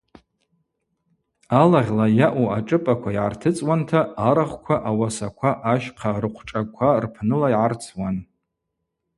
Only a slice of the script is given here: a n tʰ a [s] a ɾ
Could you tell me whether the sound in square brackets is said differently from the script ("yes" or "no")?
yes